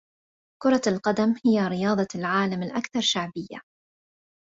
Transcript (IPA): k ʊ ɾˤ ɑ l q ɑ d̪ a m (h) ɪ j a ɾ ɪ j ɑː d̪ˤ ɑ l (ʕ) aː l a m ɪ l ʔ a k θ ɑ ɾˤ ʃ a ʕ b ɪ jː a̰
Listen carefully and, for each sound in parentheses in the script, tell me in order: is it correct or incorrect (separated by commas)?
correct, correct